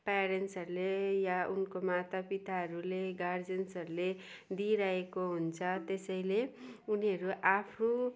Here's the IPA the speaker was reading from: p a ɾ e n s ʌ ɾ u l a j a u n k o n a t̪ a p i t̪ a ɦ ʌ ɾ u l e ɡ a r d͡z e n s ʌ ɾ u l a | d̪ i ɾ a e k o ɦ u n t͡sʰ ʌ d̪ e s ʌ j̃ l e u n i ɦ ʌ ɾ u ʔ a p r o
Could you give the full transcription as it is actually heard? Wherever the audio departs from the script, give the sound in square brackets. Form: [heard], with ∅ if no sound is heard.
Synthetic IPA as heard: p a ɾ e n s ʌ ɾ u l [e] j a u n k o [m] a t̪ a p i t̪ a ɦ ʌ ɾ u l e ɡ a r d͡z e n s ʌ ɾ u l [e] | d̪ i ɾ a e k o ɦ u n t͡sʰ ʌ [t̪] e s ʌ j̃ l e u n i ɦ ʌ ɾ u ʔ a [pʰ] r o